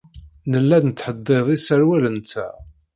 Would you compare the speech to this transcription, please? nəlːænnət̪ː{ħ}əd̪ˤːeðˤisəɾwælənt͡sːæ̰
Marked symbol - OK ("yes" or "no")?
yes